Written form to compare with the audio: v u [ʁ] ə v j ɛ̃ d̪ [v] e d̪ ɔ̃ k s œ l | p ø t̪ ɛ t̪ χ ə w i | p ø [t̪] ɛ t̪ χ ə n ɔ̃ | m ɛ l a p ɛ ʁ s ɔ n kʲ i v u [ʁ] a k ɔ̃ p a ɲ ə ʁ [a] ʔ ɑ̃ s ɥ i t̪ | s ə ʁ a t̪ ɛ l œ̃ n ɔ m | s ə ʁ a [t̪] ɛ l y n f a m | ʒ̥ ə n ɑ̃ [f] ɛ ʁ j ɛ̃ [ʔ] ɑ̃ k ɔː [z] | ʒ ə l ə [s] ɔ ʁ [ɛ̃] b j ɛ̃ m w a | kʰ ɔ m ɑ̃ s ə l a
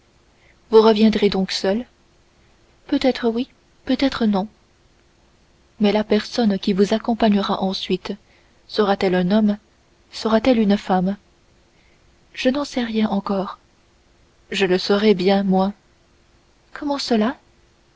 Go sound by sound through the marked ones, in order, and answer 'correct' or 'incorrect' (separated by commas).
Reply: correct, incorrect, correct, incorrect, correct, correct, incorrect, correct, incorrect, correct, incorrect